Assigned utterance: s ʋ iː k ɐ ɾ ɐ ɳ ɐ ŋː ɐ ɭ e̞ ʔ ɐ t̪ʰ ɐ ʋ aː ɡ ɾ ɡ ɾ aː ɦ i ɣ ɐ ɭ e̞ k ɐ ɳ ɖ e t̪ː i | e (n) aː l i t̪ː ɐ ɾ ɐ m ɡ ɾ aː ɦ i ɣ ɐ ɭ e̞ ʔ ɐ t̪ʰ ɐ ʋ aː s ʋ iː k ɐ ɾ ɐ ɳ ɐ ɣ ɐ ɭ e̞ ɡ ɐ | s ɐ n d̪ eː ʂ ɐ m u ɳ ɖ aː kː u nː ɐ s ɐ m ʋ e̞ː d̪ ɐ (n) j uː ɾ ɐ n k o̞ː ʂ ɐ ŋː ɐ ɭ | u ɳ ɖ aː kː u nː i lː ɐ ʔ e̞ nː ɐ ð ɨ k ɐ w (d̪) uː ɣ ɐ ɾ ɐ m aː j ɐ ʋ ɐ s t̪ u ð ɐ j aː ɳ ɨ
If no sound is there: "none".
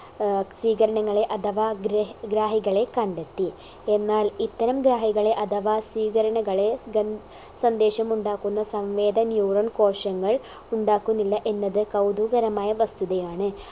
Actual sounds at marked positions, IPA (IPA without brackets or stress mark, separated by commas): nː, n, d̪